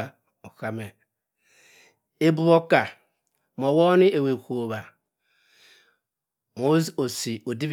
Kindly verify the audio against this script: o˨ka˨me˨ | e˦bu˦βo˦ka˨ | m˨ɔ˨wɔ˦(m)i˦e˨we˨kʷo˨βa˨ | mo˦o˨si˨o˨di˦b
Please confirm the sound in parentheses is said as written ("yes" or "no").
no